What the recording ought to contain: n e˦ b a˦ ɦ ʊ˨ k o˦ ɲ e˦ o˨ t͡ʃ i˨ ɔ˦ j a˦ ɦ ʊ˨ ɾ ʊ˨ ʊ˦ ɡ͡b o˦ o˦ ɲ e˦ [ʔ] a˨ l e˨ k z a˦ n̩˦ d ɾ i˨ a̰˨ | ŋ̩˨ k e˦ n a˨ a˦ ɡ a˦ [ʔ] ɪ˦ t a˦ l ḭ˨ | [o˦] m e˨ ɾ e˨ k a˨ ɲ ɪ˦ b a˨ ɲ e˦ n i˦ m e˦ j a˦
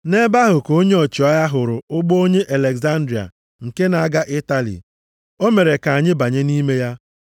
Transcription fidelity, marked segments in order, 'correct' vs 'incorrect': correct, correct, correct

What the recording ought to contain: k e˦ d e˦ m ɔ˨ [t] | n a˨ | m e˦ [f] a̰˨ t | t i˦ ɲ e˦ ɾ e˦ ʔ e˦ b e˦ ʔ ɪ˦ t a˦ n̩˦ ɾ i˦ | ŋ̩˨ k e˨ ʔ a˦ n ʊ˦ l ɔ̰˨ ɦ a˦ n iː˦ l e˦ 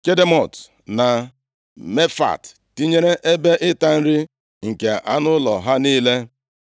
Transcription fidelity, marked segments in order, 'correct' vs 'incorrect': correct, correct

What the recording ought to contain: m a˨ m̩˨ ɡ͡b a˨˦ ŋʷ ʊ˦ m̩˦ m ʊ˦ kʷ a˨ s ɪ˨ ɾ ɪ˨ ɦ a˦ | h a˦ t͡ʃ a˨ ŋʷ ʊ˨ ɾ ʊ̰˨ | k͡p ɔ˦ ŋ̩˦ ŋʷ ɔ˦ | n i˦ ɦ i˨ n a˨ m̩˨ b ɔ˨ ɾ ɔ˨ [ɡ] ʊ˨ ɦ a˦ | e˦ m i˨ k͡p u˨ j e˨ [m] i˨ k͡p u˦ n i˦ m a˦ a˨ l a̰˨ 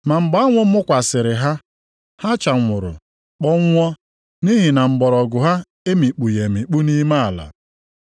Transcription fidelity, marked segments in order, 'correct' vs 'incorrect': correct, correct

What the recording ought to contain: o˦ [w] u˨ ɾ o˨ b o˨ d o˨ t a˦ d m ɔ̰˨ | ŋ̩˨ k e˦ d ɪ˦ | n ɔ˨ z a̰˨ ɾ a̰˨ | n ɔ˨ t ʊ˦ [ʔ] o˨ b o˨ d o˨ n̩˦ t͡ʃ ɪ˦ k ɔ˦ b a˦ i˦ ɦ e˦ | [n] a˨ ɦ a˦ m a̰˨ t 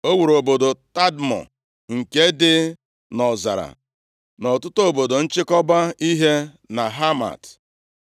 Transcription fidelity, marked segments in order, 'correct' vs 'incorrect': correct, incorrect: t, correct

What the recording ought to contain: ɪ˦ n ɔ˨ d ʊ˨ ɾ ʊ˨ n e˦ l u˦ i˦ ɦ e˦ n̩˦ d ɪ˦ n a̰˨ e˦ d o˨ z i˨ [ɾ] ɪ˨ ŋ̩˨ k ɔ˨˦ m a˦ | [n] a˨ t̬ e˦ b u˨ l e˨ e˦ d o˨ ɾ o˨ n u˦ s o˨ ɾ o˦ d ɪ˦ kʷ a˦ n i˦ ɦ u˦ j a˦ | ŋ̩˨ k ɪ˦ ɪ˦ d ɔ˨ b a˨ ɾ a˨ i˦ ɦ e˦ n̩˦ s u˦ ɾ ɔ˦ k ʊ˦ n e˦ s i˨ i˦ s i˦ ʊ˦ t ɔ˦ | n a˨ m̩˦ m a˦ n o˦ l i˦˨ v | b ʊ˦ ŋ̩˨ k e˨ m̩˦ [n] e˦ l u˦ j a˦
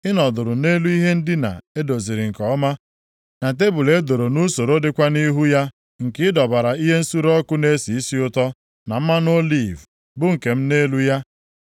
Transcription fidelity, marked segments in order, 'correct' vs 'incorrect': correct, correct, correct

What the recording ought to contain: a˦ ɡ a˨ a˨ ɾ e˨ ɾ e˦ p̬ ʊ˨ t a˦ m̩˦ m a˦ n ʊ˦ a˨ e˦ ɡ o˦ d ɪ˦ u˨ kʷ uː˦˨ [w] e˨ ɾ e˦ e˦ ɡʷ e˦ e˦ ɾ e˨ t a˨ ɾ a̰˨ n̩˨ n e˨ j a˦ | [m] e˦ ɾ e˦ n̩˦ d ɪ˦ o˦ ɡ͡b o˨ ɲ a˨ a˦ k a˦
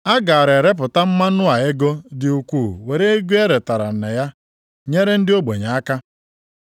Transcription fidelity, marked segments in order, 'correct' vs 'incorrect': correct, incorrect: ɲ

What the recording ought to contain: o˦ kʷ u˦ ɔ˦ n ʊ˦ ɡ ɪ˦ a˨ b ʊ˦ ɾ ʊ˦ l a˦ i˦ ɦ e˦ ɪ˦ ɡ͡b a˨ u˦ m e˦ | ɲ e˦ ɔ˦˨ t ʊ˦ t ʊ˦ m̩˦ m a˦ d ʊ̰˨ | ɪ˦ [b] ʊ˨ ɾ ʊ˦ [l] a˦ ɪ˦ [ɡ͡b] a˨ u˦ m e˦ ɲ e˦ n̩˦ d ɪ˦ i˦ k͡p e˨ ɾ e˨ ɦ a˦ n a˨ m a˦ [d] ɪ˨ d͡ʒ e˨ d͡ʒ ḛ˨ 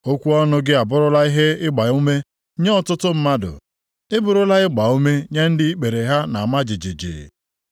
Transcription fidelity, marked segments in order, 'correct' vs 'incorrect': correct, correct, correct, incorrect: d͡ʒ

